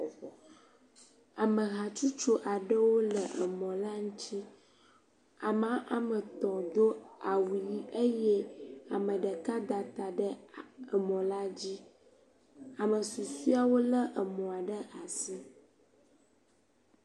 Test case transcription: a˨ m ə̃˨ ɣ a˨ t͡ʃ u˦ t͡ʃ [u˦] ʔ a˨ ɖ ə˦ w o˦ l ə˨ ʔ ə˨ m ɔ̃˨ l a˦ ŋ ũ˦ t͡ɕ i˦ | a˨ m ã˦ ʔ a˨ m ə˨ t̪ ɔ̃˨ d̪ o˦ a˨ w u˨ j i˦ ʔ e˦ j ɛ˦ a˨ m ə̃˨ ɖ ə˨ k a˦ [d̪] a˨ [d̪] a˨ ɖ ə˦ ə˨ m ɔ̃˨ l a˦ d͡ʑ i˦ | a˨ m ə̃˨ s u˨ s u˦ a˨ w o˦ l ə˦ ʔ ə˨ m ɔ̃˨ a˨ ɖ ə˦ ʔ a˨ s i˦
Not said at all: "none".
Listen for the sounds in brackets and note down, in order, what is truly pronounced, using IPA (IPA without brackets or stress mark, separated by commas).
o˦, d̪, t̪